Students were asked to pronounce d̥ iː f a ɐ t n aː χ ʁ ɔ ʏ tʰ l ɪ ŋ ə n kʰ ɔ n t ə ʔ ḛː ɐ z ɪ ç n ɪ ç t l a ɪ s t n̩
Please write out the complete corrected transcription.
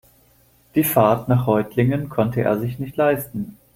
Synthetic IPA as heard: d̥ iː f a ɐ t n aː χ ʁ ɔ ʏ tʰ l ɪ ŋ ə n kʰ ɔ n t ə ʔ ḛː ɐ z ɪ ç n ɪ ç t l a ɪ s t n̩